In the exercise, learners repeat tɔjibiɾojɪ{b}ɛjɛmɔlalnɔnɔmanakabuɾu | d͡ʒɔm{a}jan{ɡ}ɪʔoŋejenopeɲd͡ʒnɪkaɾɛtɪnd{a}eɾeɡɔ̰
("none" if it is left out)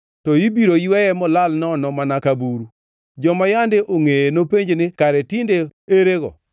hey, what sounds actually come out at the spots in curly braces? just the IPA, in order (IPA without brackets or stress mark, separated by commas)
w, a, d, e